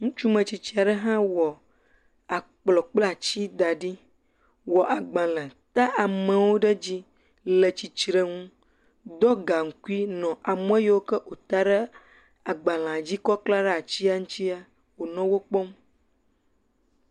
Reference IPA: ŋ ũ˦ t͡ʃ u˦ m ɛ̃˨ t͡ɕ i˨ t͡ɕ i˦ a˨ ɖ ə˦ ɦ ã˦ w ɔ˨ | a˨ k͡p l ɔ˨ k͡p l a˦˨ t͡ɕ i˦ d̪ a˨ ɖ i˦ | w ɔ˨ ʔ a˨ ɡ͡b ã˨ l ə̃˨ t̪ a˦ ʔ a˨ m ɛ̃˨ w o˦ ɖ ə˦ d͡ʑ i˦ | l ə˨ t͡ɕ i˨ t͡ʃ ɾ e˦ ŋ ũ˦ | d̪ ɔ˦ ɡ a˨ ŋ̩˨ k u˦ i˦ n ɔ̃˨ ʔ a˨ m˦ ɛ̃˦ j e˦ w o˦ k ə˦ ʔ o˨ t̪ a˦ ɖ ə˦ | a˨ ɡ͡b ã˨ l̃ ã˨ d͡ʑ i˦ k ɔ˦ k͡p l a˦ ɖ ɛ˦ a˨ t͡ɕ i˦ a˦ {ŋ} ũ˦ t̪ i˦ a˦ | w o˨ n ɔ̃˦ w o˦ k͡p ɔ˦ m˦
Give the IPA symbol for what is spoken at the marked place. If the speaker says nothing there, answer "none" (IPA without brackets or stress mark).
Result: ŋ